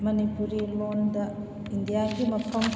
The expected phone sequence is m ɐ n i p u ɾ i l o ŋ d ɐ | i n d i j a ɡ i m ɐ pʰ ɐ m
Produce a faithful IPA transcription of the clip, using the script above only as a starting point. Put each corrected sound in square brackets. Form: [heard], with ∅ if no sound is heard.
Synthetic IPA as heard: m ɐ n i p u ɾ i l o [n] d ɐ | i n d i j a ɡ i m ɐ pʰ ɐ m